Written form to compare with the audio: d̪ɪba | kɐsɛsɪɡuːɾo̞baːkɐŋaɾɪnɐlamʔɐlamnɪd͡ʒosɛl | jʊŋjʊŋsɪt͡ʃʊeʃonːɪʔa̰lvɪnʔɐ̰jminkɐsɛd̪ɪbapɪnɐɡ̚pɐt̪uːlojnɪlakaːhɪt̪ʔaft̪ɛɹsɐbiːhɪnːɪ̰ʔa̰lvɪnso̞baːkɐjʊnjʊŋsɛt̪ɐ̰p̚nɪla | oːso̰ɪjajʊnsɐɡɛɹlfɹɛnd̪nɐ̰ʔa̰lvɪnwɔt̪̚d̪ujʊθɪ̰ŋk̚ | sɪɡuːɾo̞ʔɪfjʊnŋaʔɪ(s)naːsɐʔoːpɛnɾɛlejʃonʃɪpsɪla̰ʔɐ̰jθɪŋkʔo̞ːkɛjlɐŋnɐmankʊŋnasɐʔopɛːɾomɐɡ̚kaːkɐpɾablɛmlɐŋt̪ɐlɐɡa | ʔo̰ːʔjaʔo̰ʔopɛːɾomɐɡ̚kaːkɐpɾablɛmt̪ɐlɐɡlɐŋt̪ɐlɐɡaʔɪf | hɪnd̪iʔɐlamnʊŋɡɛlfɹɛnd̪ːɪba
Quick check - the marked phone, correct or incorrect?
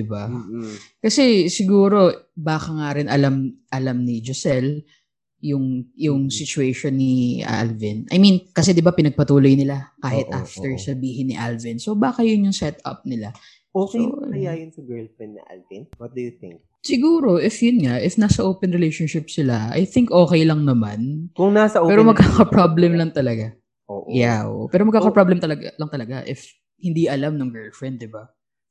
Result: incorrect